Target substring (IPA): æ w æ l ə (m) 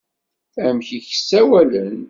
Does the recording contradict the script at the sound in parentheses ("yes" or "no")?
yes